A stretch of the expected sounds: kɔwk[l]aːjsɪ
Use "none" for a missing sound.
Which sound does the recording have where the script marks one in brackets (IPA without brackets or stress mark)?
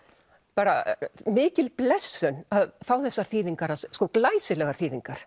l